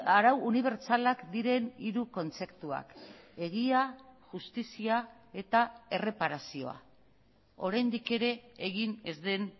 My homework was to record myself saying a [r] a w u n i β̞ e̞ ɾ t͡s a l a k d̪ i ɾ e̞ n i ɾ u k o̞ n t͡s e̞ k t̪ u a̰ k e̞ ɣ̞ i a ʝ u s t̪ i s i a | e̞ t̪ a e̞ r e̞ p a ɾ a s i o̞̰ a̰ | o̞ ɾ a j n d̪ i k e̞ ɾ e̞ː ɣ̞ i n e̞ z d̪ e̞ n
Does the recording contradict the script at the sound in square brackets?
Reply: yes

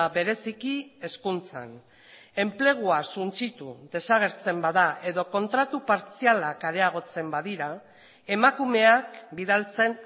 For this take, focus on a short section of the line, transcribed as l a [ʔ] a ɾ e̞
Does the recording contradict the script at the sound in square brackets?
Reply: yes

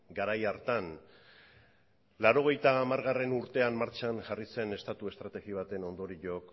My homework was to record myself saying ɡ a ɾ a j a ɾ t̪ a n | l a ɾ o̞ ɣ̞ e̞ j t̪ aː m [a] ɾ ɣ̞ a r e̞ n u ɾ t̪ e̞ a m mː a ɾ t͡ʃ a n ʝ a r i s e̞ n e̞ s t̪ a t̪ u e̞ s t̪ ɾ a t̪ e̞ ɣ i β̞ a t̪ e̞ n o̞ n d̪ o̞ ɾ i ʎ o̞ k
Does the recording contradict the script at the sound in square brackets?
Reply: no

